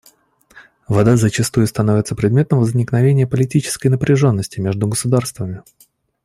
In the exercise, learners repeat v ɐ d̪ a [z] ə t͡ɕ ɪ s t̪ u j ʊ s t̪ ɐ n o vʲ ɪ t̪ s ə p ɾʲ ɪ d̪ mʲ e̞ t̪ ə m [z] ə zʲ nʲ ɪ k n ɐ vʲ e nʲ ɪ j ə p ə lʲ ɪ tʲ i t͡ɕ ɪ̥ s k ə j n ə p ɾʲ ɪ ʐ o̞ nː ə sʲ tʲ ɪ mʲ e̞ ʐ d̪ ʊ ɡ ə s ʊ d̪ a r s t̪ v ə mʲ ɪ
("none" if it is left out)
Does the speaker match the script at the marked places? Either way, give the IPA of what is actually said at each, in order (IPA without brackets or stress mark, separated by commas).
z, v